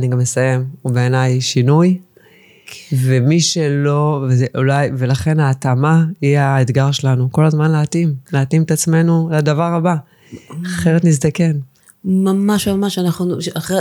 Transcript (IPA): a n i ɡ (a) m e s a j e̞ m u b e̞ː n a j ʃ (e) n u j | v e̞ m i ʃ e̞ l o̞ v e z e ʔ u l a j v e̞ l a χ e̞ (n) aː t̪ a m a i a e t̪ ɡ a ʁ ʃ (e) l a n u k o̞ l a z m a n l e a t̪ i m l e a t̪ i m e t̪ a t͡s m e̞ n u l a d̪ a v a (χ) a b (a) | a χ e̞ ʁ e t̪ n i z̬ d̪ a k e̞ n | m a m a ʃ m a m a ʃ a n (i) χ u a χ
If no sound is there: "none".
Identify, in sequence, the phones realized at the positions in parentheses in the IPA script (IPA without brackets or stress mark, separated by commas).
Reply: a, i, n, e, ʁ, a, a